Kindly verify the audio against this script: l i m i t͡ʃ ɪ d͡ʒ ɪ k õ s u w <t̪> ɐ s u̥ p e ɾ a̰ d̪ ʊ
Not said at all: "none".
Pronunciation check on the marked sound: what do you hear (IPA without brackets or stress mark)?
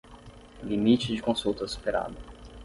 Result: t̪